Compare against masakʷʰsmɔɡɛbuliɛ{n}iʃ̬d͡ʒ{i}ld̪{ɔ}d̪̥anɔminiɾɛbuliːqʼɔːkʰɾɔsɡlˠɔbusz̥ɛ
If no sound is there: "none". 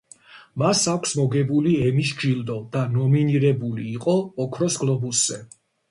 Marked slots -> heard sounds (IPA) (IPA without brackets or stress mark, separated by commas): m, i, ɔ